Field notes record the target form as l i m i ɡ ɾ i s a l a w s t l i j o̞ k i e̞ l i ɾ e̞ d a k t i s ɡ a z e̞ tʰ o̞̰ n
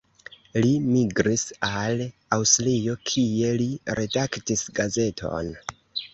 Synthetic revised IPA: l i m i ɡ ɾ i s a l a w s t l i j o̞ kʰ i e̞ l i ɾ e̞ d a k t i s ɡ a z e̞ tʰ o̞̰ n